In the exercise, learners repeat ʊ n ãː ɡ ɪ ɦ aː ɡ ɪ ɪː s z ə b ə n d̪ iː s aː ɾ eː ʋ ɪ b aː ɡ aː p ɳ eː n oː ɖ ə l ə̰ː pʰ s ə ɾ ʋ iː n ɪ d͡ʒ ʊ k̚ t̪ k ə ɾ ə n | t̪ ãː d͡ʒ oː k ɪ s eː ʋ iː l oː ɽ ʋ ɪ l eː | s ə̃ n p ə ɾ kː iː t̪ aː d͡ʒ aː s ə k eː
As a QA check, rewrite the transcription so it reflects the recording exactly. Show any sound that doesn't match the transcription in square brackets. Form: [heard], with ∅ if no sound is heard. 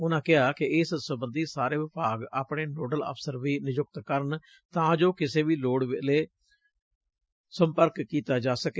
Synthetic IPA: ʊ n ãː [k] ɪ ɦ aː [k] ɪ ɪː s [s] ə b ə n d̪ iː s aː ɾ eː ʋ ɪ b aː ɡ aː p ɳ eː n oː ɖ ə l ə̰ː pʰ s ə ɾ ʋ iː n ɪ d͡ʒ ʊ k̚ t̪ k ə ɾ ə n | t̪ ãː d͡ʒ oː k ɪ s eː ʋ iː l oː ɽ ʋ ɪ l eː | s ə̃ [m] p ə ɾ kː iː t̪ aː d͡ʒ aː s ə k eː